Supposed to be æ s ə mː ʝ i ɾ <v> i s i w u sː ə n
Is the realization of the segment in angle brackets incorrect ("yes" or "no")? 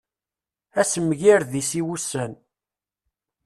yes